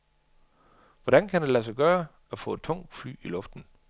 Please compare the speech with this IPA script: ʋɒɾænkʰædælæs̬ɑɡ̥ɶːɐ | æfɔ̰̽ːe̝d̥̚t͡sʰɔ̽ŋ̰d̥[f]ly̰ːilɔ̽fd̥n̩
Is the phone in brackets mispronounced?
no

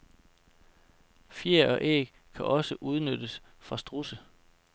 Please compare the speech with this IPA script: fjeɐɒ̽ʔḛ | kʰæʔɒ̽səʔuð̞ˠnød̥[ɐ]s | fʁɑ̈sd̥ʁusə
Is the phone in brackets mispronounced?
yes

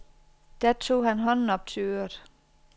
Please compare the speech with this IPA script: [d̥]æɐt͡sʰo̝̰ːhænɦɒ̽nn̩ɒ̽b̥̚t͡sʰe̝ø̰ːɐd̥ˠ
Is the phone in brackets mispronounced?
no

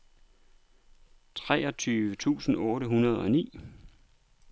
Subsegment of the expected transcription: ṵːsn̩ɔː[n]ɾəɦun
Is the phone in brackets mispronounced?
yes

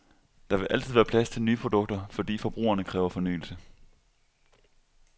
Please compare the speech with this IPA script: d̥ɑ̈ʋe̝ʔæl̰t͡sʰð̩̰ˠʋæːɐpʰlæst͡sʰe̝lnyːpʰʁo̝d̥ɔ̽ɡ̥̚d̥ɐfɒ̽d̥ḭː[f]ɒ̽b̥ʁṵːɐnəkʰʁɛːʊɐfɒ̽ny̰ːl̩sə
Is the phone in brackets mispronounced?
no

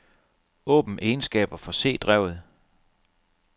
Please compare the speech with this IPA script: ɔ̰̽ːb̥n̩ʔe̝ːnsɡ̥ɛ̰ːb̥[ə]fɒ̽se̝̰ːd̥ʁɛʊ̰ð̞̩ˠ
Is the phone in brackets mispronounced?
yes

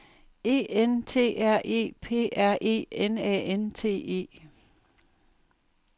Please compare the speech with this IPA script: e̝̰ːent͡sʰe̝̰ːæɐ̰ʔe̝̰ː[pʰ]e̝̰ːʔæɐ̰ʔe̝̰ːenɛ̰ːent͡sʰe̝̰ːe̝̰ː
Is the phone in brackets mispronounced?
no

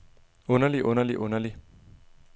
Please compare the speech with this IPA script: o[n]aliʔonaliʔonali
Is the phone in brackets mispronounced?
no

